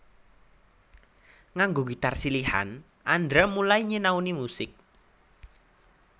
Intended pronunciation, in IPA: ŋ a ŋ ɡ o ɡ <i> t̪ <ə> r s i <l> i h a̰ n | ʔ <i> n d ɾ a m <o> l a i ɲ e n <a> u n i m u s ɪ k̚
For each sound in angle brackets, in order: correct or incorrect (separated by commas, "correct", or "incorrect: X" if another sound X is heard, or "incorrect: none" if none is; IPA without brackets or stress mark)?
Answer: correct, incorrect: a, correct, incorrect: a, incorrect: u, correct